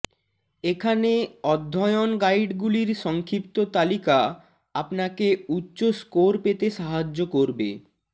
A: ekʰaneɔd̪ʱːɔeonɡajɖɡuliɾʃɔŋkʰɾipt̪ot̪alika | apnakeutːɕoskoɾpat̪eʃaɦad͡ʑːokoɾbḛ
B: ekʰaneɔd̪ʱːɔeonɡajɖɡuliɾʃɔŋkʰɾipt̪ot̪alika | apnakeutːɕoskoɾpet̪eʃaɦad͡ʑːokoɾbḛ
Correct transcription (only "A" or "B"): B